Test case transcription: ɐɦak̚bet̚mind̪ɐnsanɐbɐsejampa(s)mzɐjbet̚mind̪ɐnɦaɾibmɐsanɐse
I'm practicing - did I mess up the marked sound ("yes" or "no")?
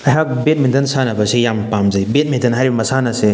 yes